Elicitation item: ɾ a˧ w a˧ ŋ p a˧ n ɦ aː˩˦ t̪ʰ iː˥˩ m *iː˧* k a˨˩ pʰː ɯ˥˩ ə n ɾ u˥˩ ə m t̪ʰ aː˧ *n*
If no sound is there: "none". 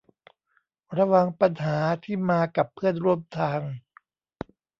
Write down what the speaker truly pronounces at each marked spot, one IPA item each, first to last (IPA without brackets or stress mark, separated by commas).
aː˧, ŋ